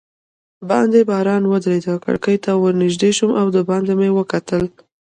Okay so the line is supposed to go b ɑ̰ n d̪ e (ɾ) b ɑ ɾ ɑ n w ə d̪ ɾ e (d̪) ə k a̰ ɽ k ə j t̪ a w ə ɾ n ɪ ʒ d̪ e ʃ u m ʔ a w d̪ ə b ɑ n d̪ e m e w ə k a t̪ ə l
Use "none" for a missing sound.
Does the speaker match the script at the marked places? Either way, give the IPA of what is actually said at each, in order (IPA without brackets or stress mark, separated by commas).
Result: none, d̪